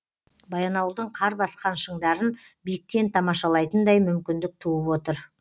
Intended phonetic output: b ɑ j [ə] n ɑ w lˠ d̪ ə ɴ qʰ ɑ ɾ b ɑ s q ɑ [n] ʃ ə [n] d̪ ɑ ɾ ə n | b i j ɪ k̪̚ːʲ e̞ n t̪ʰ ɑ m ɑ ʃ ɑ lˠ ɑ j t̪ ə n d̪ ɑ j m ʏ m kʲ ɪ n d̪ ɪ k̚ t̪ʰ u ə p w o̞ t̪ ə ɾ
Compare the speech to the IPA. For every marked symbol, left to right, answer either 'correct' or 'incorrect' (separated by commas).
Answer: incorrect, correct, incorrect